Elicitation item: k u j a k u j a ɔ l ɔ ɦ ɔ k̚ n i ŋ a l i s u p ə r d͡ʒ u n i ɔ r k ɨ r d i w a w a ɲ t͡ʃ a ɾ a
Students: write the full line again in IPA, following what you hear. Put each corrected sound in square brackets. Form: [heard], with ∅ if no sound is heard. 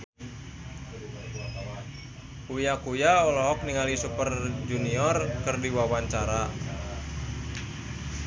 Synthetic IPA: k u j a k u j a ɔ l ɔ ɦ ɔ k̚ n i ŋ a l i s u p ə r d͡ʒ u n i ɔ r k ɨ r d i w a w a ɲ t͡ʃ a ɾ a